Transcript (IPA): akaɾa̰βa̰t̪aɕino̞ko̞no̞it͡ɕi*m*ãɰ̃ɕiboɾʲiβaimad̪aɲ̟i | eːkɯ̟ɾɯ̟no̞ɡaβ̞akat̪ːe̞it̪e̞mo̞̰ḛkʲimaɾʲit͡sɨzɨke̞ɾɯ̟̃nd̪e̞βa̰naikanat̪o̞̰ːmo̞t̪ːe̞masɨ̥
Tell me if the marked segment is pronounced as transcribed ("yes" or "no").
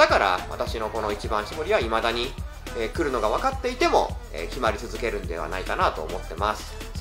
no